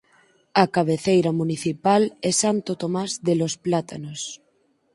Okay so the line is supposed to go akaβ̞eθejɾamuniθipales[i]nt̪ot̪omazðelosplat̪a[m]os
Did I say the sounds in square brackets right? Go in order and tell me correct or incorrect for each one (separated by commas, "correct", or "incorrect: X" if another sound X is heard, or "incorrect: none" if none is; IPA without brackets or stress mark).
incorrect: a, incorrect: n